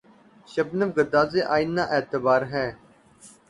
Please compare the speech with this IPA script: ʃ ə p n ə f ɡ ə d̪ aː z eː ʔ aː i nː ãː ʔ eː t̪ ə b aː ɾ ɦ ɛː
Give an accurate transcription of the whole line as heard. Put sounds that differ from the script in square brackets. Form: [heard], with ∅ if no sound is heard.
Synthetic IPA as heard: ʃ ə [b] n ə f ɡ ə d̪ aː z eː ʔ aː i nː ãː ʔ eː t̪ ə b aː ɾ ɦ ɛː